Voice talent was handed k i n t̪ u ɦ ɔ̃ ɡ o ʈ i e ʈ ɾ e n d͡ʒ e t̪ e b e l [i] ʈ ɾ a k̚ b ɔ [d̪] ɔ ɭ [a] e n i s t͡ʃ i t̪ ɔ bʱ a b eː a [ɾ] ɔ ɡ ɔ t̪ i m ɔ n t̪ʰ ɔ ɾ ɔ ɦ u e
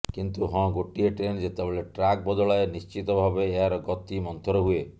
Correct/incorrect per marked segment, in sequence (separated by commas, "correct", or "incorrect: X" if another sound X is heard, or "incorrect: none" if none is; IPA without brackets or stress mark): incorrect: e, correct, correct, correct